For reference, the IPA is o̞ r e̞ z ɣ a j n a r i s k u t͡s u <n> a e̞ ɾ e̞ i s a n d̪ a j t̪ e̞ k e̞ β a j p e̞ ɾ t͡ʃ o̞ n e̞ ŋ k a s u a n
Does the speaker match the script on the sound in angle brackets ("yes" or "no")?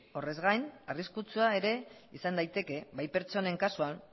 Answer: no